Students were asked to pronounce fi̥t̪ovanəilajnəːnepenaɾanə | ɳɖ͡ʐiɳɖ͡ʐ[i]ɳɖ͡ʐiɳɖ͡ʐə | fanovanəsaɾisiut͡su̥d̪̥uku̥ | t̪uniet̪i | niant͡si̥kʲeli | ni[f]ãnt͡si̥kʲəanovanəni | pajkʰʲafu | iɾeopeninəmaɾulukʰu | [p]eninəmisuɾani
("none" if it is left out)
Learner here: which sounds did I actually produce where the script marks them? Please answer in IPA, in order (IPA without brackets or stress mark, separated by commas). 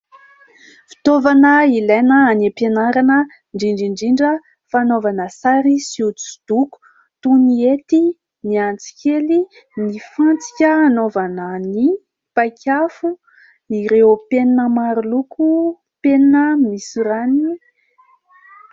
i, f, p